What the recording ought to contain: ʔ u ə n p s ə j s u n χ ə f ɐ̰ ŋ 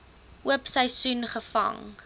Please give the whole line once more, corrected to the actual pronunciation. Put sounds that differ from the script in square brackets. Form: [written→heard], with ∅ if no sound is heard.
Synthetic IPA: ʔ u ə [n→∅] p s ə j s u n χ ə f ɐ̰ ŋ

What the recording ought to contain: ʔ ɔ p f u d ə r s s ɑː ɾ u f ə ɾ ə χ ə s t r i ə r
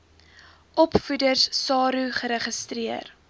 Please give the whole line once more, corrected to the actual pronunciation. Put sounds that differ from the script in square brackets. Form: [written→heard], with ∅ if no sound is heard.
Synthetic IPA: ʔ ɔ p f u d ə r s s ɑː ɾ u [f→χ] ə ɾ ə χ ə s t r i ə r

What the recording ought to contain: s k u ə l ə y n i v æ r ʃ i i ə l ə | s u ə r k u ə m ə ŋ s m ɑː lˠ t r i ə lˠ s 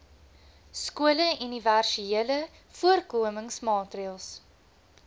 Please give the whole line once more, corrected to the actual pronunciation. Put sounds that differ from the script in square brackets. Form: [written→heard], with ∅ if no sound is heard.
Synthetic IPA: s k u ə l ə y n i v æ r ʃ i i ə l ə | [s→f] u ə r k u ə m ə ŋ s m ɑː [lˠ→∅] t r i ə lˠ s

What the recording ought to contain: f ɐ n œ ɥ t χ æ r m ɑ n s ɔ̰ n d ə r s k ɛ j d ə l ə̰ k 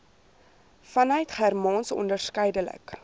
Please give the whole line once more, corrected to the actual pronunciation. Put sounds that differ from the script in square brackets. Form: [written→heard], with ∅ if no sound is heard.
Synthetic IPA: f ɐ n œ ɥ t χ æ r m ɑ n s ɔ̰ n d ə r s k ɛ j d ə l ə̰ k

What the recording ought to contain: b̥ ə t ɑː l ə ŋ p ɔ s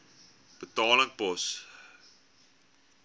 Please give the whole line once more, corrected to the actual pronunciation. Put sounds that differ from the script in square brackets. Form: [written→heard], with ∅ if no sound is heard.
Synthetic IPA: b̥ ə t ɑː l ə ŋ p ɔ s

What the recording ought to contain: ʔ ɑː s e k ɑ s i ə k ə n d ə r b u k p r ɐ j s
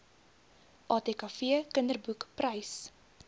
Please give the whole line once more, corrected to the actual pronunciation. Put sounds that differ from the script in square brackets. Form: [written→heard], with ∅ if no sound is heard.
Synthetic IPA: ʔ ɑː [s→t] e k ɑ [s→f] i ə k ə n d ə r b u k p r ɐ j s

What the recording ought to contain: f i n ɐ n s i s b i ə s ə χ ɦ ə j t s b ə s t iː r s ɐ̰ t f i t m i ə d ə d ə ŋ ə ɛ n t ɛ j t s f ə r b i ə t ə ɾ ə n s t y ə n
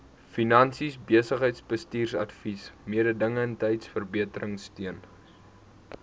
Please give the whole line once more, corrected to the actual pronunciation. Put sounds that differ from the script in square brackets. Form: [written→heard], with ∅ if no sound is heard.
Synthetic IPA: f i n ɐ n s i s b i ə s ə χ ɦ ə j t s b ə s t iː r s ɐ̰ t f i [t→s] m i ə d ə d ə ŋ ə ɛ n t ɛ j t s f ə r b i ə t ə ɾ ə [n→ŋ] s t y ə n

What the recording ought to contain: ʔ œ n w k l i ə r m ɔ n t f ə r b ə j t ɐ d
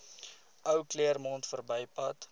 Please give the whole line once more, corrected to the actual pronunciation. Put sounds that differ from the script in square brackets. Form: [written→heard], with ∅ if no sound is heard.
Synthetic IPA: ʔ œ [n→∅] w k l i ə r m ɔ n t f ə r b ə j [t→p] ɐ [d→t]

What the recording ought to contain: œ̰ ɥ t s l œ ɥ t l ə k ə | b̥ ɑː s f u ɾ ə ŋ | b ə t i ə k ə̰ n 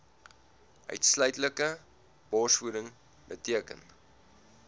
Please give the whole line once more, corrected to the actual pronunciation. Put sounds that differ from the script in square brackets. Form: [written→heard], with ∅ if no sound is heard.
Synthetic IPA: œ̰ ɥ t s l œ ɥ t l ə k ə | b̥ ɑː s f u ɾ ə ŋ | b ə t i ə k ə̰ n

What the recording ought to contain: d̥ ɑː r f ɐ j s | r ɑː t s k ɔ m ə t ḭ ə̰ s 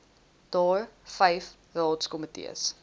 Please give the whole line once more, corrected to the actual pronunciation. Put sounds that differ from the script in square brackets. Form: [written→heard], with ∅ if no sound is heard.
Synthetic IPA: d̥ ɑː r f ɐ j [s→f] | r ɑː t s k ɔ m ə t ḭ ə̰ s

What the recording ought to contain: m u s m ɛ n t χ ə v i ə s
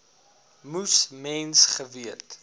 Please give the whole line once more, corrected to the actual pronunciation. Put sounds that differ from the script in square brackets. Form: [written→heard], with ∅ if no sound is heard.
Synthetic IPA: m u s m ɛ n [t→s] χ ə v i ə [s→t]

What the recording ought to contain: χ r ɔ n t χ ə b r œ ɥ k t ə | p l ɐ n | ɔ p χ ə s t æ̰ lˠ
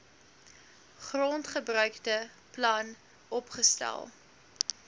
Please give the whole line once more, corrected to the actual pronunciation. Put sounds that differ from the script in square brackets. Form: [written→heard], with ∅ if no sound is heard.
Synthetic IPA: χ r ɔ n t χ ə b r œ ɥ k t ə | p l ɐ n | ɔ p χ ə s t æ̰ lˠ

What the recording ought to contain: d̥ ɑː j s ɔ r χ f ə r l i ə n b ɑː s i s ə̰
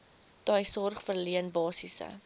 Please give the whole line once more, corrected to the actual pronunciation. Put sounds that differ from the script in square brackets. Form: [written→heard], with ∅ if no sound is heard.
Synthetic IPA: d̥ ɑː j s ɔ r χ f ə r l i ə n b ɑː s i s ə̰

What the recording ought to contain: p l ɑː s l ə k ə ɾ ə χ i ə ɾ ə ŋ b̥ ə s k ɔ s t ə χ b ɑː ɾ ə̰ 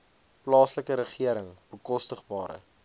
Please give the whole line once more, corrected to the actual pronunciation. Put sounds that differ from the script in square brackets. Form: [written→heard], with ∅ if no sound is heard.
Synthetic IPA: p l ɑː s l ə k ə ɾ ə χ i ə ɾ ə ŋ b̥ ə [s→∅] k ɔ s t ə χ b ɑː ɾ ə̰

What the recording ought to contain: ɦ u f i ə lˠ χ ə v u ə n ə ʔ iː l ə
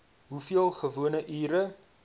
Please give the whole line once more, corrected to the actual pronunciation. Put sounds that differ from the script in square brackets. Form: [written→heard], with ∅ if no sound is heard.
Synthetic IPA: ɦ u f i ə lˠ χ ə v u ə n ə ʔ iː [l→ɾ] ə

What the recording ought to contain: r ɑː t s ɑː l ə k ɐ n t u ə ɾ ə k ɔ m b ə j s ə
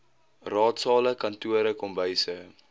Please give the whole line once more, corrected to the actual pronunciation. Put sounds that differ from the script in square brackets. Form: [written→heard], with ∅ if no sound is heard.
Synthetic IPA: r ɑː t s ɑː l ə k ɐ n t u ə ɾ ə k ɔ m b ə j s ə

